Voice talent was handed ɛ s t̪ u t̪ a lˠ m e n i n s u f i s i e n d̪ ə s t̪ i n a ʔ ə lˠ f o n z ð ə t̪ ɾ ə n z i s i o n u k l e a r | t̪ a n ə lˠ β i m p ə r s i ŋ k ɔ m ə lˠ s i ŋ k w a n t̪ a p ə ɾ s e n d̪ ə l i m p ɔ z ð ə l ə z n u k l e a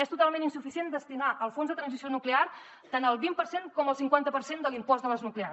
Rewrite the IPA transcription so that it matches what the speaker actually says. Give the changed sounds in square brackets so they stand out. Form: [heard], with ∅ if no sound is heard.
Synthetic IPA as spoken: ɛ s t̪ u t̪ a lˠ m e n i n s u f i s i e n d̪ ə s t̪ i n a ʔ ə lˠ f o n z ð ə t̪ ɾ ə n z i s i o n u k l e a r | t̪ a n ə lˠ β i m p ə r s [e] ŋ k ɔ m ə lˠ s i ŋ k w a n t̪ [ə] p ə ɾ s e n d̪ ə l i m p ɔ z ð ə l ə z n u k l e a